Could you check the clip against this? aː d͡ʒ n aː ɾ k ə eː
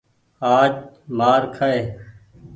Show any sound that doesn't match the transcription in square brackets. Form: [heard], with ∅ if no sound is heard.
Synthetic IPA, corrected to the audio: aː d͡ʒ [m] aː ɾ [kʰ] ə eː